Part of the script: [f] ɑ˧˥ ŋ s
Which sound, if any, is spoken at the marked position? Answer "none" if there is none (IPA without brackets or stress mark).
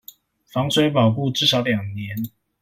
f